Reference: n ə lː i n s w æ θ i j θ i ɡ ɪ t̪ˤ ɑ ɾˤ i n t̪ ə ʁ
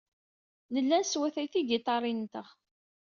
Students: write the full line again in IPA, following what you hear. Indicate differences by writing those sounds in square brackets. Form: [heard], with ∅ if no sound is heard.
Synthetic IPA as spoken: n ə lː [æ] n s w æ θ [æ] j θ i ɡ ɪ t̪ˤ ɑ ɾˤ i n t̪ ə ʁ

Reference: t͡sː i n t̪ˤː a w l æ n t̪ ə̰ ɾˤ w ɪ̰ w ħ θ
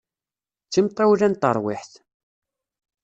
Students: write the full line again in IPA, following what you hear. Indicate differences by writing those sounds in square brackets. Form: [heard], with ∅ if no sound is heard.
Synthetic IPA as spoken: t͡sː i [m] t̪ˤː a w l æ n t̪ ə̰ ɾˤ w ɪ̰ [∅] ħ θ

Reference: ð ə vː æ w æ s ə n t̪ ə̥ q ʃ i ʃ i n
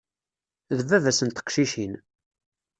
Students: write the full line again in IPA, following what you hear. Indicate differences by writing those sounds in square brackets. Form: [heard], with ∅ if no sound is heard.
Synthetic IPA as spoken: ð ə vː æ [v] æ s ə n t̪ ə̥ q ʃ i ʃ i n

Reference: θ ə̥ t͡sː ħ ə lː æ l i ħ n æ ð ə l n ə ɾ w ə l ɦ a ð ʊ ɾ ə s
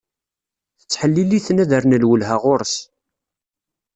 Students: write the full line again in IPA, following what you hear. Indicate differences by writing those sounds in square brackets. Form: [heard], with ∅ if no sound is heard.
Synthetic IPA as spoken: θ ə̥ t͡sː ħ ə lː [i] l i [θ] n æ ð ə [ɾ] n ə [l] w ə l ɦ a [ʁ] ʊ ɾ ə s

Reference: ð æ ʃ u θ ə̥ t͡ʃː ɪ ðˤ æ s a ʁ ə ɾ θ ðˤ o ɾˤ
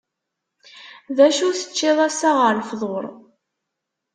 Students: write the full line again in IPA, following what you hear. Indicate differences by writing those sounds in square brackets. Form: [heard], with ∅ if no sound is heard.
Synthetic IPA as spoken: ð æ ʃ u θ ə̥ t͡ʃː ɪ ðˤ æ s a ʁ ə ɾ [f] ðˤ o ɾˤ

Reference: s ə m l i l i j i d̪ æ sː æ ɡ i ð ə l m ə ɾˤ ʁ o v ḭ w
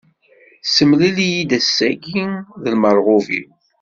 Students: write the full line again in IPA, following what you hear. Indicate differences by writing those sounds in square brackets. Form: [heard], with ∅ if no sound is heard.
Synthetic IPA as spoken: s ə m l i l i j i d̪ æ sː æ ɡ i ð ə l m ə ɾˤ ʁ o v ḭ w

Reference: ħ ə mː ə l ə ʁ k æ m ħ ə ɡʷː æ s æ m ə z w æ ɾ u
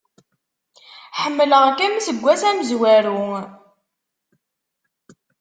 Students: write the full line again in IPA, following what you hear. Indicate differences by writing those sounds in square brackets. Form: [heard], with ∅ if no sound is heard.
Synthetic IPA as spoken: ħ ə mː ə l ə ʁ k æ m [s] ə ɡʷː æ s æ m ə z w æ ɾ u

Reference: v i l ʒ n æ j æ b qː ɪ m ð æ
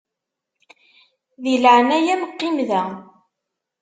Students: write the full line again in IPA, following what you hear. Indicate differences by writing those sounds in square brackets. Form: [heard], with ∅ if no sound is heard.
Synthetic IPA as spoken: [ð] i l [ʕ] n æ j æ [m] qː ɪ m ð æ

